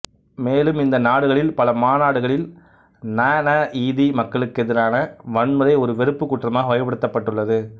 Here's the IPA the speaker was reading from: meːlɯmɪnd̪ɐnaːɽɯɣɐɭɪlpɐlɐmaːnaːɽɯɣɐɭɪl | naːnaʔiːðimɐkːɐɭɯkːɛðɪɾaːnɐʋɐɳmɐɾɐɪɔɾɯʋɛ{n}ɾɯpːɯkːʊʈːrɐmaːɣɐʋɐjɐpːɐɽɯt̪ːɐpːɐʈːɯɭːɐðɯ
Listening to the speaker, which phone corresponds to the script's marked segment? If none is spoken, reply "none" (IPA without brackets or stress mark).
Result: none